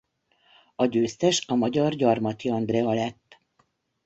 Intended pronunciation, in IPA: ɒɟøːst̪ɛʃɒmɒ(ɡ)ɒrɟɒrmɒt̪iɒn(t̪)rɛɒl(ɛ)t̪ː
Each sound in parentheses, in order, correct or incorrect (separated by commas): incorrect, incorrect, correct